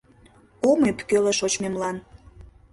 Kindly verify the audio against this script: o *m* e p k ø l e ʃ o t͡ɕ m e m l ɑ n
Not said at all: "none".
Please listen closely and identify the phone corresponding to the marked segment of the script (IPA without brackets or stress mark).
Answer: m